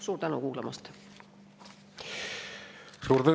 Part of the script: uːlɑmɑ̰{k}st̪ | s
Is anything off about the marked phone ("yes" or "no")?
yes